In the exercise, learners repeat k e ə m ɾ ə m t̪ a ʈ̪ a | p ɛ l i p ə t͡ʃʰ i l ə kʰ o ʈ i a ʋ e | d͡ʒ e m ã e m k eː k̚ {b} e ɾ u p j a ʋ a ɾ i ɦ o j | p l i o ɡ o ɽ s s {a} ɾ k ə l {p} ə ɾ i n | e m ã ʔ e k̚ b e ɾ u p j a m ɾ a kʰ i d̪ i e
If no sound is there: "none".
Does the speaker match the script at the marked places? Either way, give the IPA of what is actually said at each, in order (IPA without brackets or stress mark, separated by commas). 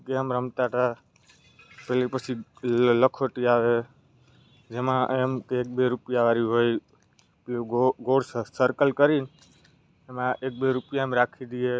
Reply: b, ə, k